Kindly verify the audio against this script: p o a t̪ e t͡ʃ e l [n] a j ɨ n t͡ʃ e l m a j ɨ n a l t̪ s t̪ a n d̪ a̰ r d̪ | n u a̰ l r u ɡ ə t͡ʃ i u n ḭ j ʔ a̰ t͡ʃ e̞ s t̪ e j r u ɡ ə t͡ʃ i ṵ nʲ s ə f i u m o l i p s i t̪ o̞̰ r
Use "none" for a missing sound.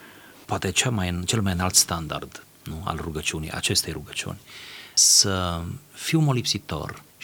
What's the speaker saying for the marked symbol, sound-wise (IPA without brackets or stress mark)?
m